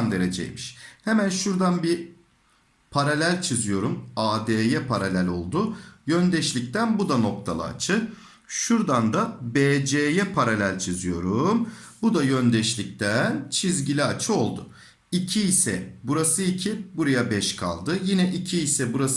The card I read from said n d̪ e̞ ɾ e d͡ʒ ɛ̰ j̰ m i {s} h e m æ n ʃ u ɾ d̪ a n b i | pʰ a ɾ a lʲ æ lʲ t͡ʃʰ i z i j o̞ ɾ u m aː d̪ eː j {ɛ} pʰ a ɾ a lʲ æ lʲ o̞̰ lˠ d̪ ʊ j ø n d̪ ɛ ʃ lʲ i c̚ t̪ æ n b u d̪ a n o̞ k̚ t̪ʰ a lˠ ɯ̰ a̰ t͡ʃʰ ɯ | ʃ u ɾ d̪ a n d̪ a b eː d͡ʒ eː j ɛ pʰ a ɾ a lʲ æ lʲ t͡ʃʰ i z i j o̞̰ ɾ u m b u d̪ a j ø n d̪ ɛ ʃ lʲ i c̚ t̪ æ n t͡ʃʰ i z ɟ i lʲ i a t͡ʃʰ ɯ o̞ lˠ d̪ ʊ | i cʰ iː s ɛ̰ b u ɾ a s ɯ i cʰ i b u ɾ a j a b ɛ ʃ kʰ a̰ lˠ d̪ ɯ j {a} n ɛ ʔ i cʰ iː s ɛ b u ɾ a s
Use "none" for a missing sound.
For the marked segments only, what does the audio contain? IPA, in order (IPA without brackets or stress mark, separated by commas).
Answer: ʃ, ɛ, i